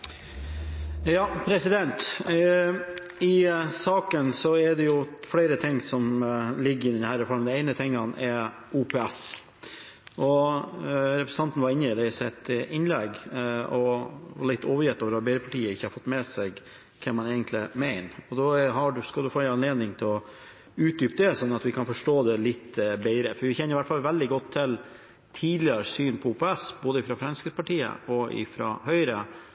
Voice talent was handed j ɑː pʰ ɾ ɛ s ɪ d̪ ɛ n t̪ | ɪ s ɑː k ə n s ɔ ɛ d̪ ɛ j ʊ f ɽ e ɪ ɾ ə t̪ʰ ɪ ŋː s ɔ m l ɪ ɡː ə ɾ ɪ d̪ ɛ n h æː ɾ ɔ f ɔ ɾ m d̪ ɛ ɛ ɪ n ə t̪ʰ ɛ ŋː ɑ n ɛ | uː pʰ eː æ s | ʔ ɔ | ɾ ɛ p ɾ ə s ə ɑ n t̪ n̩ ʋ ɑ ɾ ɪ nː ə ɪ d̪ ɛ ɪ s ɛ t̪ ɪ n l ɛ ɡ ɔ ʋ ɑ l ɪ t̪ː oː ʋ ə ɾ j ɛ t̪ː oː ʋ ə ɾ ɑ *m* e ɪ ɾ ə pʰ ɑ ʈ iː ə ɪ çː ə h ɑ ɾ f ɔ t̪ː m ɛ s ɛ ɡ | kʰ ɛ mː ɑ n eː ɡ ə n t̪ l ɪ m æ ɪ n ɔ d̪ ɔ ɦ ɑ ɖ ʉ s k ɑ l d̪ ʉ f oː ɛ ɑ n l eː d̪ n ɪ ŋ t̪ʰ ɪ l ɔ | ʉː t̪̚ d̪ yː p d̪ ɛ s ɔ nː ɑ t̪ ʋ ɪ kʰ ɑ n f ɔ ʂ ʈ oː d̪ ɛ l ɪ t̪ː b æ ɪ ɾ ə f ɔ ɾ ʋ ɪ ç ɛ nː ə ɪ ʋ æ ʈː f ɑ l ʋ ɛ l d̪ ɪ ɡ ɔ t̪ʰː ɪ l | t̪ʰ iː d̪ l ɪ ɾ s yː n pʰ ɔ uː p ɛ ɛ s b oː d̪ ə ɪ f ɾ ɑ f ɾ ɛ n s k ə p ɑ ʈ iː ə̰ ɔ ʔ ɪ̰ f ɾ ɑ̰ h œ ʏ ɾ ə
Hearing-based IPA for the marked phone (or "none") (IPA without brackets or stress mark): b